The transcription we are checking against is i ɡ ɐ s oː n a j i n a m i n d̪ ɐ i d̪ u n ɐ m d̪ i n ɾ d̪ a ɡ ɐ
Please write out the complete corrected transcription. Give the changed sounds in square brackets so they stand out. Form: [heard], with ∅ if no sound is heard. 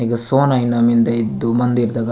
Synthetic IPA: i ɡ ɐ s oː n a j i n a m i n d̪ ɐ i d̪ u [m] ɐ [n] d̪ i [∅] ɾ d̪ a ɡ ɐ